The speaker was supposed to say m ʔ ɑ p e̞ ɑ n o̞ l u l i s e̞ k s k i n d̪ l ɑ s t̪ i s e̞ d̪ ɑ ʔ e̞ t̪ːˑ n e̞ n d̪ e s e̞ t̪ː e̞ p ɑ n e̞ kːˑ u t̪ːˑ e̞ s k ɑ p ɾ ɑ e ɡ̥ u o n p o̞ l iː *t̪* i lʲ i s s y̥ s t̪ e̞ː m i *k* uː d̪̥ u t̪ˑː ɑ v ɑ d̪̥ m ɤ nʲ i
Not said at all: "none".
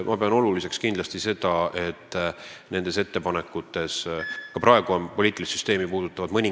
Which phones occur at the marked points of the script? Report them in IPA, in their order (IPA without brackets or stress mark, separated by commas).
t̪, p